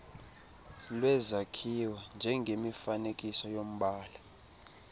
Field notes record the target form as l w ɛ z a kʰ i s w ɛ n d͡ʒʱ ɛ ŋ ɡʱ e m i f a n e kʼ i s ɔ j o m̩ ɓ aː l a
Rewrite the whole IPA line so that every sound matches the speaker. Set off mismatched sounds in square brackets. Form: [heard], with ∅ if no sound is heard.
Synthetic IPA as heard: l w ɛ z a kʰ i [∅] w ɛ n d͡ʒʱ ɛ ŋ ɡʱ e m i f a n e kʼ i s ɔ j o m̩ ɓ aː l a